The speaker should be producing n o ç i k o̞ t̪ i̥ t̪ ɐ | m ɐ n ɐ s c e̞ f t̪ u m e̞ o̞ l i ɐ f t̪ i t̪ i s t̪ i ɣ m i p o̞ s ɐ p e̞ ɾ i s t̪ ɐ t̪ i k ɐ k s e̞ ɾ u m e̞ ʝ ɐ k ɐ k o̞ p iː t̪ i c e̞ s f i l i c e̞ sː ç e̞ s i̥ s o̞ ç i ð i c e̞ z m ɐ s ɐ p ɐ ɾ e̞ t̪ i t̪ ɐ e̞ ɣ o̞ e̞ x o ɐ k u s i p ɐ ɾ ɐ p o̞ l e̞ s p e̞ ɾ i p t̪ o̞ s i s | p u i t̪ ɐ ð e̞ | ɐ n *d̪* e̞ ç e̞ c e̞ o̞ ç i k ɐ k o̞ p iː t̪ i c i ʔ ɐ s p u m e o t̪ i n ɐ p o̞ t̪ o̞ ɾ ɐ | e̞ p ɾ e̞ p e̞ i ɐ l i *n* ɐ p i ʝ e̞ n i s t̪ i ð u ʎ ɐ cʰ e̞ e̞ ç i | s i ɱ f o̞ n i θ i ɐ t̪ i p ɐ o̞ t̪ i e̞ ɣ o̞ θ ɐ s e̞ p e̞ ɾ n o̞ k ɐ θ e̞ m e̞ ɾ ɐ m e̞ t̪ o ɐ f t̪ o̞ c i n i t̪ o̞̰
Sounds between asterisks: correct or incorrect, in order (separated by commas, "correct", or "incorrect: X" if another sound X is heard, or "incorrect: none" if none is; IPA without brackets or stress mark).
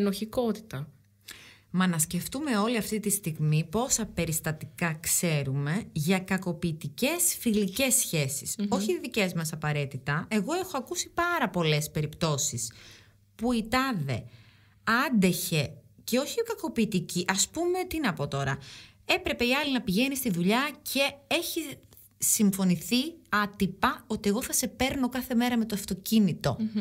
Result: correct, correct